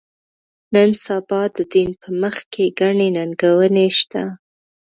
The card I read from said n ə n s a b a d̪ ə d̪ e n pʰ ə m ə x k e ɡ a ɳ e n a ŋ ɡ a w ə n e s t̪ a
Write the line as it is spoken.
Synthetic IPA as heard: n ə n s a b ɑ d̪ ə d̪ i n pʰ ə m ə x k e ɡ a ɳ e n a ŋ ɡ a w ə n e ʃ t̪ a